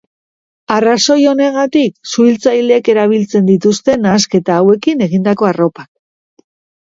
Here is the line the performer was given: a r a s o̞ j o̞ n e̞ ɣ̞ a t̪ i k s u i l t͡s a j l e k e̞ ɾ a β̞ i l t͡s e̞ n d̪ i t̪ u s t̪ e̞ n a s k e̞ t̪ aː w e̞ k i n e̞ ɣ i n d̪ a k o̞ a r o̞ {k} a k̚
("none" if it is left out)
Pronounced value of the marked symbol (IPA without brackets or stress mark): p